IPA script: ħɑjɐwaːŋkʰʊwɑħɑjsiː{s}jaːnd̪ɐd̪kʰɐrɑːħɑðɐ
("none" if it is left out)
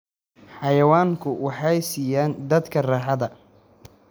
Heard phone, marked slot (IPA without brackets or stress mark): none